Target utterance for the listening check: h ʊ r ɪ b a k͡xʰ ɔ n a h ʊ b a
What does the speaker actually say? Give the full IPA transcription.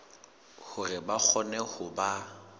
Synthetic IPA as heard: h ʊ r ɪ b a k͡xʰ ɔ n ɛ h ʊ b a